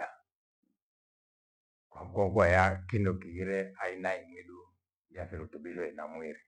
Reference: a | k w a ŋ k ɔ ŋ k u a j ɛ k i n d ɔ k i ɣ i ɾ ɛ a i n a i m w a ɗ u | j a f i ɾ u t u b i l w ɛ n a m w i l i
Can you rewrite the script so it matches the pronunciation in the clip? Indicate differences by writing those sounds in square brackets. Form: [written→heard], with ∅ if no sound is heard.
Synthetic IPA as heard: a | k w a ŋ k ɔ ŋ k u a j [ɛ→a] k i n d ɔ k i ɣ i ɾ ɛ a i n a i m w [a→i] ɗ u | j a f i ɾ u t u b i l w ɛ n a m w i [l→ɾ] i